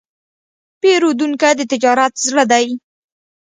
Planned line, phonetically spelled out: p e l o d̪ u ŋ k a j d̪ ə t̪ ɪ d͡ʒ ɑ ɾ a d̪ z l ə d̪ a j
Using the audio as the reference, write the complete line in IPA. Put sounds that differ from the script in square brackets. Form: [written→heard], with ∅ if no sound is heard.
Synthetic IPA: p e [l→ɾ] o d̪ u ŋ k a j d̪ ə t̪ ɪ d͡ʒ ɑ ɾ a [d̪→t̪] z [l→ɽ] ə d̪ a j